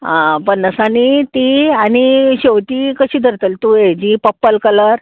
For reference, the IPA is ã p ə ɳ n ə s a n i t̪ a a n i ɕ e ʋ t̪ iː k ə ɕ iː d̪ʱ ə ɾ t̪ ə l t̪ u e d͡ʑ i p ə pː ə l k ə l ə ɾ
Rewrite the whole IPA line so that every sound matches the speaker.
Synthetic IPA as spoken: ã p ə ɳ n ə s a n i t̪ i a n i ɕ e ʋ t̪ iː k ə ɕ iː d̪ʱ ə ɾ t̪ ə l t̪ u e d͡ʑ i p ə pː ə l k ə l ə ɾ